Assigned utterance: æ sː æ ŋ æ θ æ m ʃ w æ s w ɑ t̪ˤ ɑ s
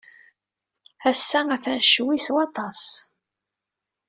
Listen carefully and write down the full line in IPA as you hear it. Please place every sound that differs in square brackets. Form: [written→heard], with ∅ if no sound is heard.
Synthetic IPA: æ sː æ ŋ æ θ æ [m→n] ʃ w [æ→i] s w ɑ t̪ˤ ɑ s